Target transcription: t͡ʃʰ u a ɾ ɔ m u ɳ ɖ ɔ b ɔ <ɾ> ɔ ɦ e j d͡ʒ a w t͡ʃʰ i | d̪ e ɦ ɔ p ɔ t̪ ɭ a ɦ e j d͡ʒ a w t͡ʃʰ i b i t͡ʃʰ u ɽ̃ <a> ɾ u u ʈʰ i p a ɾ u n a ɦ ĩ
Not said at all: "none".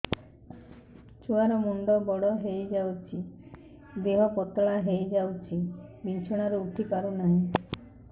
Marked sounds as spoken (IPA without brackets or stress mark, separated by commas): ɽ, a